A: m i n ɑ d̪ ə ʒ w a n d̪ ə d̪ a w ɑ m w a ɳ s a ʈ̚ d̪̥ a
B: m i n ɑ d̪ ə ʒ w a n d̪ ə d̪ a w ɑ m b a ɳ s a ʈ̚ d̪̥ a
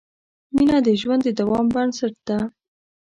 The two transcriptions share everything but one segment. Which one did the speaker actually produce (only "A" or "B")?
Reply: B